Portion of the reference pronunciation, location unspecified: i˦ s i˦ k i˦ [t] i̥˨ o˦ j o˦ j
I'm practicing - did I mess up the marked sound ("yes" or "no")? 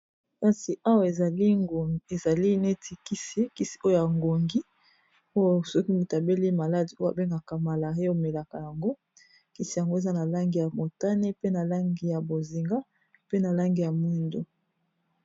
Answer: yes